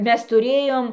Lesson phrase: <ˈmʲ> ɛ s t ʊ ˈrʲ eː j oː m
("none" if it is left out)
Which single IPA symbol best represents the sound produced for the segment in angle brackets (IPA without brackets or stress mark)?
mʲ